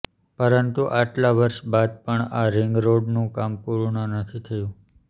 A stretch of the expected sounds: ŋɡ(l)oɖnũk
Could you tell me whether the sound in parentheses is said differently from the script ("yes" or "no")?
yes